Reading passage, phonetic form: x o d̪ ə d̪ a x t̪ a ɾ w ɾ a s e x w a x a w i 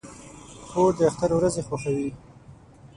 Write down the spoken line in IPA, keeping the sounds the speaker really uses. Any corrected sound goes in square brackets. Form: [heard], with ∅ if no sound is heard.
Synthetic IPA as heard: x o d̪ ə [∅] a x t̪ a ɾ w ɾ a [z] e x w a x a w i